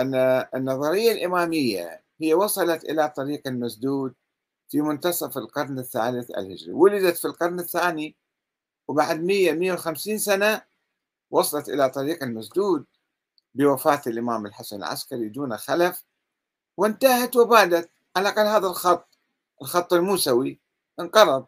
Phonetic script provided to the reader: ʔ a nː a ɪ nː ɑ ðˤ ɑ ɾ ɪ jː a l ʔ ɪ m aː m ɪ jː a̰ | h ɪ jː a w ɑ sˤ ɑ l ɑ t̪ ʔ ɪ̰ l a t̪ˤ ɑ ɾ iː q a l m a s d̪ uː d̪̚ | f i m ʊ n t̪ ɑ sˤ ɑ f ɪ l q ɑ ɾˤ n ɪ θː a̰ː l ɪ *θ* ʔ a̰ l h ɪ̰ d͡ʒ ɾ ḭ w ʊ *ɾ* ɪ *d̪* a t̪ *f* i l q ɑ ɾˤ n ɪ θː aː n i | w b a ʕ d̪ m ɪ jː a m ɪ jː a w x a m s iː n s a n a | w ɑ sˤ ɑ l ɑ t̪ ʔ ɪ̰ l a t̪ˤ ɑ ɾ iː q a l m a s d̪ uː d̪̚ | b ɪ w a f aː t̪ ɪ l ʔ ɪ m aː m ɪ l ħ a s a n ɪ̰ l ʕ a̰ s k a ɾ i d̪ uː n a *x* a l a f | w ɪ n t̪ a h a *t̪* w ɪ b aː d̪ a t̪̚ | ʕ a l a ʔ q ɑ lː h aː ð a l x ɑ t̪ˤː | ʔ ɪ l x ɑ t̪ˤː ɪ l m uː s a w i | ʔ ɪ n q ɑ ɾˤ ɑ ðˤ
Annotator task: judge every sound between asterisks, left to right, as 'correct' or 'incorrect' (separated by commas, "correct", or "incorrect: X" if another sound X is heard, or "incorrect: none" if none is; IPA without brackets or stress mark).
correct, incorrect: l, correct, correct, correct, correct